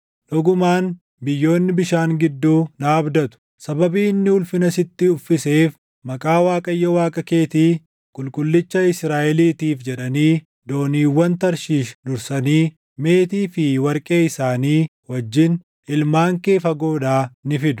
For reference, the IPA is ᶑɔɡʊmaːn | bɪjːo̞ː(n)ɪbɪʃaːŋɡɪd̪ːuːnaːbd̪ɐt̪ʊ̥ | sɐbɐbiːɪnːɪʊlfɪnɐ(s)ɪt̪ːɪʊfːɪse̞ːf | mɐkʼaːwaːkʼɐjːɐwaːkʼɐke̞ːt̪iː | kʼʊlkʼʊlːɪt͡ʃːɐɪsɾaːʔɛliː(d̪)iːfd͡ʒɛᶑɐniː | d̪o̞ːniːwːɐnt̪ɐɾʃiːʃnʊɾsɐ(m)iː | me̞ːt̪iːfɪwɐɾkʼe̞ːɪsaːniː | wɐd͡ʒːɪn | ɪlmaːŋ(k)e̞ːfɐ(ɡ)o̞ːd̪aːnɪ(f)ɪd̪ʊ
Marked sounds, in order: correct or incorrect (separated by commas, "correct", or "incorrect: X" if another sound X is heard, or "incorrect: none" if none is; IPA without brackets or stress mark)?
incorrect: nː, correct, incorrect: t̪, incorrect: n, correct, correct, correct